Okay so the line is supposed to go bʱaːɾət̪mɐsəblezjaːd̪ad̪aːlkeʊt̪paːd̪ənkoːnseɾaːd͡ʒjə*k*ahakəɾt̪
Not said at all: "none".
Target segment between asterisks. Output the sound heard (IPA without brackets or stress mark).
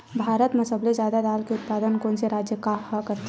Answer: k